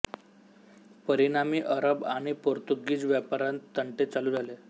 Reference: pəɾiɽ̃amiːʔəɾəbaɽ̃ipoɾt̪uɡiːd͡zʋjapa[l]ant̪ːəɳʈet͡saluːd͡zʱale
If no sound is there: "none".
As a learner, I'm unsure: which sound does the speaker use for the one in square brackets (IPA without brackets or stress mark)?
ɾ